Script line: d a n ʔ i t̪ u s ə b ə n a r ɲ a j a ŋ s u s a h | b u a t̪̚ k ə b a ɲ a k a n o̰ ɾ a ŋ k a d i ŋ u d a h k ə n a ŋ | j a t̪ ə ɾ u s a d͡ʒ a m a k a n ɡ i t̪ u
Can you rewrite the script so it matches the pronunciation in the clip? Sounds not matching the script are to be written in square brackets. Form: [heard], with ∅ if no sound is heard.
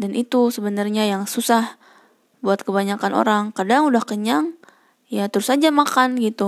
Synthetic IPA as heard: d a n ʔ i t̪ u s ə b ə n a r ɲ a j a ŋ s u s a h | b u a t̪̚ k ə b a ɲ a k a n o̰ ɾ a ŋ k a d [a] ŋ u d a h k ə [ɲ] a ŋ | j a t̪ ə ɾ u s a d͡ʒ a m a k a n ɡ i t̪ u